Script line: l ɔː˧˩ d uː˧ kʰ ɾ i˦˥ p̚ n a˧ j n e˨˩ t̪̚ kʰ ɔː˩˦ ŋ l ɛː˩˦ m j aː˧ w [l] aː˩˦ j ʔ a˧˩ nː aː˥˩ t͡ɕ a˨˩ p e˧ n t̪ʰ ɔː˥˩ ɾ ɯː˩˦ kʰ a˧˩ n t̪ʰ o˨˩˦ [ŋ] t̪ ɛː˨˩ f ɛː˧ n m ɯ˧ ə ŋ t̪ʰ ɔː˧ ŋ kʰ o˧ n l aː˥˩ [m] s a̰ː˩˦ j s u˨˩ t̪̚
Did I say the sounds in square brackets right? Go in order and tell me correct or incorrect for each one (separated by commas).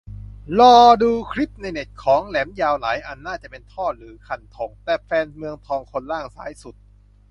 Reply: correct, correct, incorrect